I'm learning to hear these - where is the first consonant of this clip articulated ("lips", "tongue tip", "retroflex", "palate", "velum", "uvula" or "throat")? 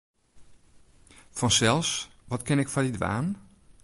lips